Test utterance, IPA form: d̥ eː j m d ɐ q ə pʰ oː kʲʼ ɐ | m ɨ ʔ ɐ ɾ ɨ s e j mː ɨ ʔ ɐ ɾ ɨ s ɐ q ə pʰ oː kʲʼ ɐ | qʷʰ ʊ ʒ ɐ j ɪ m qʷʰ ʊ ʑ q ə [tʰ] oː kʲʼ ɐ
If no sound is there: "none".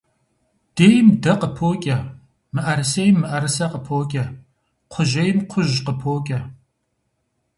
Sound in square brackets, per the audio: pʰ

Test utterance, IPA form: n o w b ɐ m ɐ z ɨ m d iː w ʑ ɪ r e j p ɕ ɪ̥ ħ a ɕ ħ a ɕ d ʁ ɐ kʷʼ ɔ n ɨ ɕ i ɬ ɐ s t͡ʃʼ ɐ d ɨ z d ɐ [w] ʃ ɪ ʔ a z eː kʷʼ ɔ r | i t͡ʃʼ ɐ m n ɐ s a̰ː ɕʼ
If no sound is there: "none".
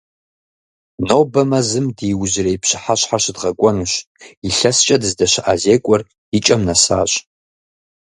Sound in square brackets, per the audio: none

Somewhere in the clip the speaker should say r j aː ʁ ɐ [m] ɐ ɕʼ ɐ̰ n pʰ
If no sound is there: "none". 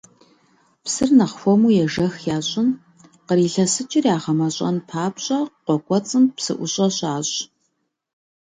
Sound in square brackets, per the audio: m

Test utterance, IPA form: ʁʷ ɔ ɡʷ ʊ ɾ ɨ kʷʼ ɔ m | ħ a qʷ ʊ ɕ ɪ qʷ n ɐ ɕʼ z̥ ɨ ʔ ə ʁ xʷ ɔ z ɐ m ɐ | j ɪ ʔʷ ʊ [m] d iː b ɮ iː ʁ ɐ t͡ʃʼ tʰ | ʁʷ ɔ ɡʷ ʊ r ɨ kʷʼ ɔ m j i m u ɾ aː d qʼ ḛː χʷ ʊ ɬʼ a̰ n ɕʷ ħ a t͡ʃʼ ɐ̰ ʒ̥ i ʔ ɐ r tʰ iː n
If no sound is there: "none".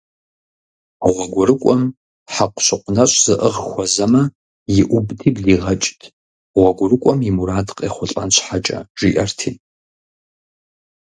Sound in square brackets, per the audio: b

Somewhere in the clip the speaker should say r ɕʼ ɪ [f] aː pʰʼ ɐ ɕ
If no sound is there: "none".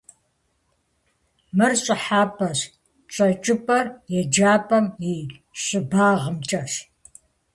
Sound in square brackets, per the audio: ħ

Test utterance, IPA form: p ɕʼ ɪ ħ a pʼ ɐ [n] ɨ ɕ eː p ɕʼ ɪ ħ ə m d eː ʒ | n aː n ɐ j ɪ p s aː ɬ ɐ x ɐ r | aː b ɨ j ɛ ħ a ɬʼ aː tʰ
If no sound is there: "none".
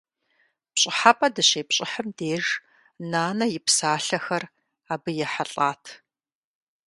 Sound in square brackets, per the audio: d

